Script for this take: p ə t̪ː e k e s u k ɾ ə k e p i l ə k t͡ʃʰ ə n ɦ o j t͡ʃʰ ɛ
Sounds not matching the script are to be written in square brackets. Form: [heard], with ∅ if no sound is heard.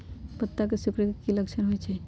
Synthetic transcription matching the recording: p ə t̪ː [a] k e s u k ɾ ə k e [k] i l ə k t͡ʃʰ ə n ɦ o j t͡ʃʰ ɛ